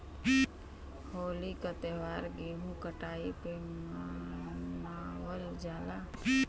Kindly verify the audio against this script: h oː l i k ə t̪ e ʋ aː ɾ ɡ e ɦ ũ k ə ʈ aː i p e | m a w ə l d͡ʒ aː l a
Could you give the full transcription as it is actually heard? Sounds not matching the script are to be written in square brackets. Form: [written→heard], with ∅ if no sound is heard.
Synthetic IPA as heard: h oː l i k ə t̪ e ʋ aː ɾ ɡ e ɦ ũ k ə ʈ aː i p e | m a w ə l d͡ʒ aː l a